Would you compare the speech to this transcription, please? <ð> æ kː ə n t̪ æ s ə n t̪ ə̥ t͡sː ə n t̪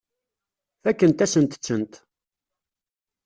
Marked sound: incorrect: θ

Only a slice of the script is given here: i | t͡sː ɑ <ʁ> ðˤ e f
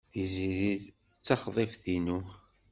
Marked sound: incorrect: χ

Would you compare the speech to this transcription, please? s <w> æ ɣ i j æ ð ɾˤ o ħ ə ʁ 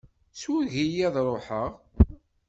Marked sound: correct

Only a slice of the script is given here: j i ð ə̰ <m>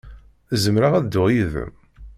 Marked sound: correct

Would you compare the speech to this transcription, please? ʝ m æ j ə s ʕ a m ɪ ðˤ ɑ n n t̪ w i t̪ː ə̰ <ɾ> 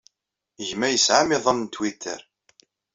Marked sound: correct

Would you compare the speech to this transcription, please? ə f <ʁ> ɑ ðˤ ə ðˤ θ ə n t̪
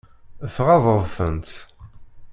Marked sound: correct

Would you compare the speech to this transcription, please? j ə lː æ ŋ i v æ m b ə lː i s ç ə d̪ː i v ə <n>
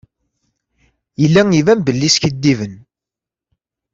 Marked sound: correct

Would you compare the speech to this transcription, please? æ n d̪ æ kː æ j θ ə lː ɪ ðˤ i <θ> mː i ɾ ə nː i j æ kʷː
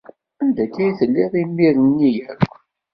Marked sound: incorrect: none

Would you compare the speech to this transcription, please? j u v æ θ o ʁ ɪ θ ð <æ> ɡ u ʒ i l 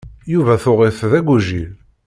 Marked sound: correct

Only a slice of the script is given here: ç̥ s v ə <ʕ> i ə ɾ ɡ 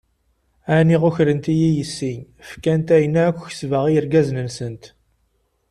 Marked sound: incorrect: ʁ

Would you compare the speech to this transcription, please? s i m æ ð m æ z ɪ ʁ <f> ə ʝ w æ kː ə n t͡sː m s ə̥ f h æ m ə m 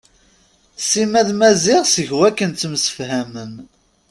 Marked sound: incorrect: s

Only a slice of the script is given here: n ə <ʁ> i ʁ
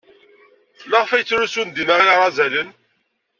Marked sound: correct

